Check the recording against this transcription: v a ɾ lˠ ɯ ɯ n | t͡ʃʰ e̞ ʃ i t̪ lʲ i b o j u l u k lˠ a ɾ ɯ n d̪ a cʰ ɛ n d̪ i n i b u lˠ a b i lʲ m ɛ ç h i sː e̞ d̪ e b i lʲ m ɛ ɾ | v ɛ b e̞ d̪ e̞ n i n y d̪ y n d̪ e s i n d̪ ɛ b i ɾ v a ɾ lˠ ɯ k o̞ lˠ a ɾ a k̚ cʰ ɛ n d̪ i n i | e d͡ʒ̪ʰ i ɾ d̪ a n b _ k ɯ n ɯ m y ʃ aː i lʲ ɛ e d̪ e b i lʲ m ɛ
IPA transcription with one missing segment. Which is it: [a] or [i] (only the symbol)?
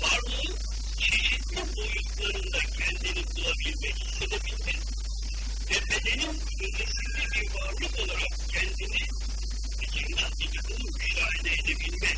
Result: i